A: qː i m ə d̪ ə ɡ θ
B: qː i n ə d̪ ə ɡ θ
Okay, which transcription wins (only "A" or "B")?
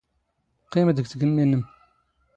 A